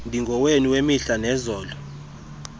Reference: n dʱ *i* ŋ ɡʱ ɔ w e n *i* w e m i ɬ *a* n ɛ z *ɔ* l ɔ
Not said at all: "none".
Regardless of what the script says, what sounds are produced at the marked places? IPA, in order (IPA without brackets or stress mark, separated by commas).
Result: i, i, a, ɔː